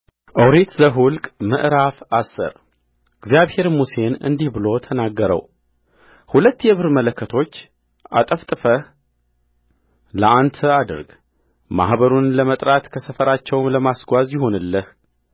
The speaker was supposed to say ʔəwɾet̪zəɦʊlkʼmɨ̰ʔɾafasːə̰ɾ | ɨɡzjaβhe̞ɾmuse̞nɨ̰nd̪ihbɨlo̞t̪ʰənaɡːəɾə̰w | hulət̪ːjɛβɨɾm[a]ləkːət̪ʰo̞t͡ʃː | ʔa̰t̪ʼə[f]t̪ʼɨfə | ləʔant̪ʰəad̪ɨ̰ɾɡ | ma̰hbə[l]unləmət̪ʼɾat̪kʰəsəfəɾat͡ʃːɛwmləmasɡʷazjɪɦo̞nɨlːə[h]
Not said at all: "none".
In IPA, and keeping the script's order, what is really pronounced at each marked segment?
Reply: ə, f, ɾ, h

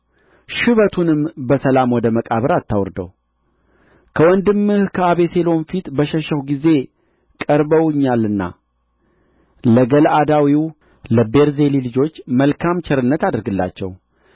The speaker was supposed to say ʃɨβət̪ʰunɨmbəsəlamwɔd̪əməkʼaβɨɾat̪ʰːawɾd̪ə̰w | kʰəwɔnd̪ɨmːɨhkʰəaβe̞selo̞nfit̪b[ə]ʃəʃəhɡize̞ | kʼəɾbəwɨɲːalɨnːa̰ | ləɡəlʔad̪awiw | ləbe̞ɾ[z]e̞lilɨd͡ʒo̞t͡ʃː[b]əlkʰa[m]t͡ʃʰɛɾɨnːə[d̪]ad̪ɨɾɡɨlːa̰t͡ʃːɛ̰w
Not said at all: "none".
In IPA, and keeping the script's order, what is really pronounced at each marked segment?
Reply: ə, z, m, m, t̪

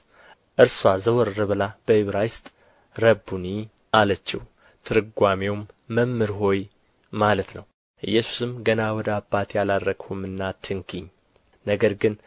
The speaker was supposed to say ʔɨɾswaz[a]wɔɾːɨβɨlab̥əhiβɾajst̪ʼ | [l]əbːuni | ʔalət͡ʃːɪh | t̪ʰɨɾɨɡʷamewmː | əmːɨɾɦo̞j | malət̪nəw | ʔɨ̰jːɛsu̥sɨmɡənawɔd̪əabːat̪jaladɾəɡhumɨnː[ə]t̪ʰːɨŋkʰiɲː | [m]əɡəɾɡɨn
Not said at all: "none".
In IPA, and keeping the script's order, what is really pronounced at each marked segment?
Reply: ə, ɾ, a, n

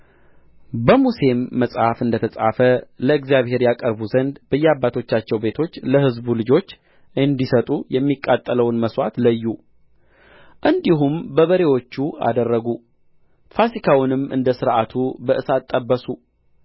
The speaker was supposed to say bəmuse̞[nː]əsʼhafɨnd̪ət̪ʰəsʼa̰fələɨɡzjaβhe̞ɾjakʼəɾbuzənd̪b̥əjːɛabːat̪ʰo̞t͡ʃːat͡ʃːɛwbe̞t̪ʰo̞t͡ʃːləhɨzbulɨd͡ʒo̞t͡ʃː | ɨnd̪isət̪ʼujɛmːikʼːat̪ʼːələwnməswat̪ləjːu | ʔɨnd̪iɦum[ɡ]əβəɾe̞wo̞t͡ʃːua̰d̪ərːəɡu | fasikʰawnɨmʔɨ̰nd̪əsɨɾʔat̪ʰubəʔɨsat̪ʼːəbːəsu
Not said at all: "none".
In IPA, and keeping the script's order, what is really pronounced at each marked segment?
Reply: mː, b

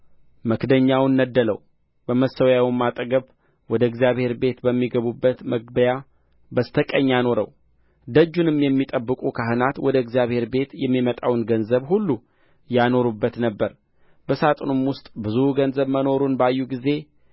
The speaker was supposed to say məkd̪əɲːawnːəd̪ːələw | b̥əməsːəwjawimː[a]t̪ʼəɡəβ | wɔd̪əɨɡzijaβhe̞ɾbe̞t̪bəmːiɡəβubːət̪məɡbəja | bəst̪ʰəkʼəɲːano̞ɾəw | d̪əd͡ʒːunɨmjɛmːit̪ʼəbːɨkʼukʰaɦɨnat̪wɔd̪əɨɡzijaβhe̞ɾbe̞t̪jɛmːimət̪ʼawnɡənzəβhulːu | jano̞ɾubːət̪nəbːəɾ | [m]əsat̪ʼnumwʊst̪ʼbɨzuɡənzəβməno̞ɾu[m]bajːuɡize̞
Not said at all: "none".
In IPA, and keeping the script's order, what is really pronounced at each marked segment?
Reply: a, b, n

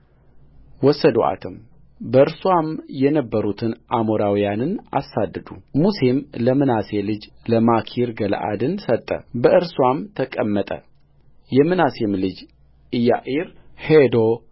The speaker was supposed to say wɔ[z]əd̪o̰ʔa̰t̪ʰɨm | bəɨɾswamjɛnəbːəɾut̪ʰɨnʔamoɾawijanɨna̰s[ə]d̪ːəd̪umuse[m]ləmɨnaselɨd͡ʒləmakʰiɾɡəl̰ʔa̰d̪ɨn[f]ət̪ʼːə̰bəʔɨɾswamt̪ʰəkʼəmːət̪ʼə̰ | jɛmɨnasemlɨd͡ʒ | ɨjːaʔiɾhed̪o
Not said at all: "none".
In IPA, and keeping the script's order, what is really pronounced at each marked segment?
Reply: s, a, m, s

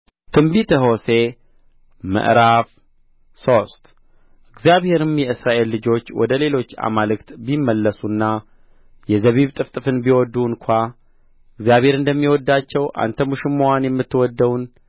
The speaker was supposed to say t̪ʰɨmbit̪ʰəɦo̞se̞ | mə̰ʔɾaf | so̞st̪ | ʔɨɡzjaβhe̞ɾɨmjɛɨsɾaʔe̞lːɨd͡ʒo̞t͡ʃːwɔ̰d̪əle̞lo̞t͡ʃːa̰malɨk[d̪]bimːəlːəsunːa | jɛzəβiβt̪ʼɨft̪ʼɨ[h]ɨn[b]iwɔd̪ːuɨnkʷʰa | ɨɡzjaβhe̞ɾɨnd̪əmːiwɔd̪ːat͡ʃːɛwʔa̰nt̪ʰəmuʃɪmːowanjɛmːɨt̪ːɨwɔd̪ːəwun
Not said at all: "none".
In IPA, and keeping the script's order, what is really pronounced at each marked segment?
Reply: t̪, f, b

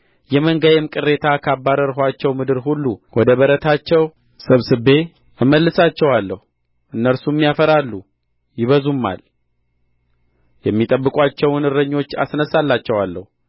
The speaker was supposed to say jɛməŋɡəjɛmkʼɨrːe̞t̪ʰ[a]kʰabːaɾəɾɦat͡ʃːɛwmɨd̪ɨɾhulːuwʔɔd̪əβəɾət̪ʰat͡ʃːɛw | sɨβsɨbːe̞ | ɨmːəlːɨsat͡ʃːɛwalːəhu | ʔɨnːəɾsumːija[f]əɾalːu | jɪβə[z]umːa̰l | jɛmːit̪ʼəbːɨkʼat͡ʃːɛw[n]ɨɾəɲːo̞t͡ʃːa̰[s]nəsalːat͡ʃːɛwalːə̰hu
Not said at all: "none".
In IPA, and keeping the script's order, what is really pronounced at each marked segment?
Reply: a, f, z, n, s

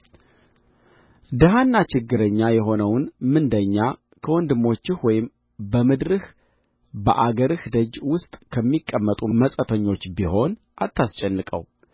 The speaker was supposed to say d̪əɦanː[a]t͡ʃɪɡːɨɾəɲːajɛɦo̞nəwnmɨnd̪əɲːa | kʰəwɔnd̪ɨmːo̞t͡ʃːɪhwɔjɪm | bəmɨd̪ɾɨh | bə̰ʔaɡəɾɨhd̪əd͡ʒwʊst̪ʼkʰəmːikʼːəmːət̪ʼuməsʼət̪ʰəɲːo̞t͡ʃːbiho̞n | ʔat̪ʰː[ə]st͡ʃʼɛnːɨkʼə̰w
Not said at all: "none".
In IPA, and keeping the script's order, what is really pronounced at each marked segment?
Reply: a, a

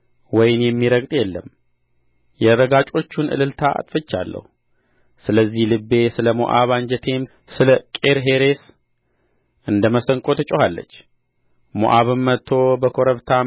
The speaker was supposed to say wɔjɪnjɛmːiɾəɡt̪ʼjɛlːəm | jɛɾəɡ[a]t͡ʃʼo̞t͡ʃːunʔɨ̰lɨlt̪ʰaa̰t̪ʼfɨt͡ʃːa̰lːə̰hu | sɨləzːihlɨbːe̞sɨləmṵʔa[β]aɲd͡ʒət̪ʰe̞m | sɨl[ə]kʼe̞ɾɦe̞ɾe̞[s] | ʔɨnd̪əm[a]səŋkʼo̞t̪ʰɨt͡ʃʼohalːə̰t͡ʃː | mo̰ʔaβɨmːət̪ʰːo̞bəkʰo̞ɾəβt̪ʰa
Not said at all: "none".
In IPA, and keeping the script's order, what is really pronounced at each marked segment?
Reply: a, β, ə, s, ə

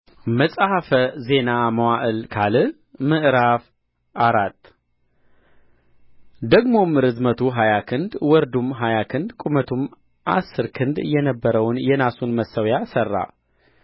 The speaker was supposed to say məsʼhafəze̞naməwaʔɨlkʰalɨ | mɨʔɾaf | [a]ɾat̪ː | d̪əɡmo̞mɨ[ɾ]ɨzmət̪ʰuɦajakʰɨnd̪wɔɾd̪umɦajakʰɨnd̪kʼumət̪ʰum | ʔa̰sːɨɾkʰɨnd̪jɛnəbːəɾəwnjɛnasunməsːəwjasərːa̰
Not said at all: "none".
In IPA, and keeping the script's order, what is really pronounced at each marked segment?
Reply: a, ɾ

